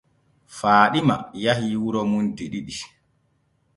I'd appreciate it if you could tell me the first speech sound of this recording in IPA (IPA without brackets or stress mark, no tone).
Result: f